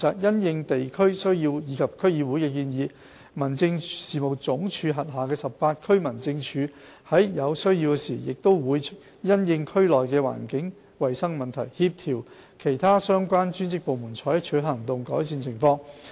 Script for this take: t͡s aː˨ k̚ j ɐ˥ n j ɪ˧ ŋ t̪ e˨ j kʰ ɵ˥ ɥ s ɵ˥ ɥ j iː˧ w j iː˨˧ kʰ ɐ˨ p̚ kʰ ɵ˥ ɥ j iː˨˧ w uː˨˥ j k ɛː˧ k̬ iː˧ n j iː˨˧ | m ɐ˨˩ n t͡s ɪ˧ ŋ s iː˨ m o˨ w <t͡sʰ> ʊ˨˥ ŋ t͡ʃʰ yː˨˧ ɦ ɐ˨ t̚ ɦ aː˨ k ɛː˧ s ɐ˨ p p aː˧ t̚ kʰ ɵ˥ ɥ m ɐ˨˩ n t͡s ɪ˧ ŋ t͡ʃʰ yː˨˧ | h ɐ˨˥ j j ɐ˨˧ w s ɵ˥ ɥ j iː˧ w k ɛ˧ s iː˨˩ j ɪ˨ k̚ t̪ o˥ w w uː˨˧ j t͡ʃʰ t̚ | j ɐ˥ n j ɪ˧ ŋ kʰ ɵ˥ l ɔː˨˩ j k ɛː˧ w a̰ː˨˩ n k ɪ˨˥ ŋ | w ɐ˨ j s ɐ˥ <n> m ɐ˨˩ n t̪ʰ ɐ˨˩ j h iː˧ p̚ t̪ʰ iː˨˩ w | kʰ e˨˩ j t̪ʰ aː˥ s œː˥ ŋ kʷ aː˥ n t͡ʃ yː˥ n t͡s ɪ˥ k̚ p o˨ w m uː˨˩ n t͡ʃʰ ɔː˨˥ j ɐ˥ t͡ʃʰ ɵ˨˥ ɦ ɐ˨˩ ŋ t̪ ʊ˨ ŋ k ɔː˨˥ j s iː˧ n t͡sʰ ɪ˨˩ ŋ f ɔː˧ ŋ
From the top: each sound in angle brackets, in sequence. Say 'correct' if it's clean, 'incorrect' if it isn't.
incorrect: t͡s, incorrect: ŋ

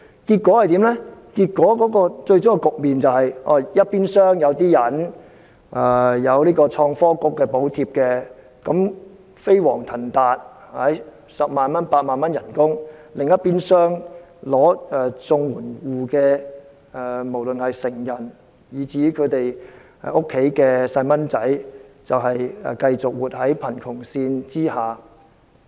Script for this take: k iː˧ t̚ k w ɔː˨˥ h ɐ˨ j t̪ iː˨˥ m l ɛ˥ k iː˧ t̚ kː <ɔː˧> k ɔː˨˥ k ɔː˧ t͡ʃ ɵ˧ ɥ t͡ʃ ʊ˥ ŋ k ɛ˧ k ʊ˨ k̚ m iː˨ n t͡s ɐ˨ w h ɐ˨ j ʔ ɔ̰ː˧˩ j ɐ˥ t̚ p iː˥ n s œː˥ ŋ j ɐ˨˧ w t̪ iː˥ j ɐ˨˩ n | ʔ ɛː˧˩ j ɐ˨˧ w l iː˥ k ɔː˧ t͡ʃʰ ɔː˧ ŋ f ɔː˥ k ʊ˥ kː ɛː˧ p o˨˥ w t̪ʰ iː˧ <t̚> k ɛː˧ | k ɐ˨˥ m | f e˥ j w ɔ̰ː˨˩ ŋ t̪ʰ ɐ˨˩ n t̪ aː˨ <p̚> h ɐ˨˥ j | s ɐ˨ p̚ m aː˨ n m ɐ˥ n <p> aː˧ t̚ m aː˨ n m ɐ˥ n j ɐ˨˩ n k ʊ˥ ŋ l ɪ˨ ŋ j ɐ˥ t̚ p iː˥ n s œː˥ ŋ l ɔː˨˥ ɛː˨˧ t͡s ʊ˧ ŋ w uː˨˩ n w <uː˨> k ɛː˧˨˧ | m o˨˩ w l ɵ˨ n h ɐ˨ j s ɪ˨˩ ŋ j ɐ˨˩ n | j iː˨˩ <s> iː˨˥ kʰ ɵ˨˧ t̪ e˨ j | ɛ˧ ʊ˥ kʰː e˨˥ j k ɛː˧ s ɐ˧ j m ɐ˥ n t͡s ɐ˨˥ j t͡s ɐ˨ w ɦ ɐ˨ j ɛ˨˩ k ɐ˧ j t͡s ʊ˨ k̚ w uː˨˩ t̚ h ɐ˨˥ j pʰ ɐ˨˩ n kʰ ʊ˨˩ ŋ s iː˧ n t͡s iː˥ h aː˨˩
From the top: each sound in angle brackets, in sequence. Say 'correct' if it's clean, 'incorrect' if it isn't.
incorrect: ɔː˨˥, incorrect: p̚, incorrect: t̚, correct, correct, incorrect: t͡s

